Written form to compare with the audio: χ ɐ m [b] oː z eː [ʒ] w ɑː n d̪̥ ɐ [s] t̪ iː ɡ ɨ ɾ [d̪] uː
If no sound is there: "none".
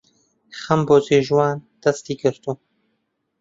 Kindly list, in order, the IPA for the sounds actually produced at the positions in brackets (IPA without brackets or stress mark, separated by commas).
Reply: b, ʒ, s, t̪